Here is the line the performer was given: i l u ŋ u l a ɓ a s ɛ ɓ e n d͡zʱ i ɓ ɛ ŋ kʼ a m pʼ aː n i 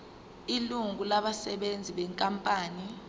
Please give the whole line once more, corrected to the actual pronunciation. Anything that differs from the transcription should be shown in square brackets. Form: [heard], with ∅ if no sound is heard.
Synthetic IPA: i l u ŋ u l a ɓ a s ɛ ɓ e n d͡zʱ i ɓ ɛ ŋ kʼ a m pʼ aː n i